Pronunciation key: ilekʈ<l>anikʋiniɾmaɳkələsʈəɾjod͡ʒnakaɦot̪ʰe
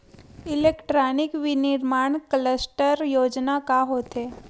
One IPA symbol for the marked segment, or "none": ɾ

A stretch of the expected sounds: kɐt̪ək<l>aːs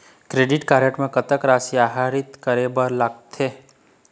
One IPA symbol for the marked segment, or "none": ɾ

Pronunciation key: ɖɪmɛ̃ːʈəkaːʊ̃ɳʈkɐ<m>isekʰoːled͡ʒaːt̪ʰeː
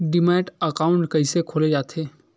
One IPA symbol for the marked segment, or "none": none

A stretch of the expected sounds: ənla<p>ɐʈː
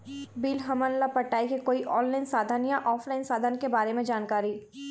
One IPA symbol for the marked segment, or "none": p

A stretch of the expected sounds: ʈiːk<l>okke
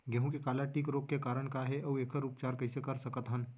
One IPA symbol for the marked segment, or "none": ɾ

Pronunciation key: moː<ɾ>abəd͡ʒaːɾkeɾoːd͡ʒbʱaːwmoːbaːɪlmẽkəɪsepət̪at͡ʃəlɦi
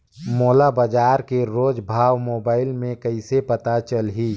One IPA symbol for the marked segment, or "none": l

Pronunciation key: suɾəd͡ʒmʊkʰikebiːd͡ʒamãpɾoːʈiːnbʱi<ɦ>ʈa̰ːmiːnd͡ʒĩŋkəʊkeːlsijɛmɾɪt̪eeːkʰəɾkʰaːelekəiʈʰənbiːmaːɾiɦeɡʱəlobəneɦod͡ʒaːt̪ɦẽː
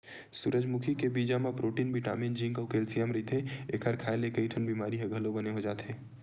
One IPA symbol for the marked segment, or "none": none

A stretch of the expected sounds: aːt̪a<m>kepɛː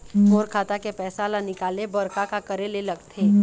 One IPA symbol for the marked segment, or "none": none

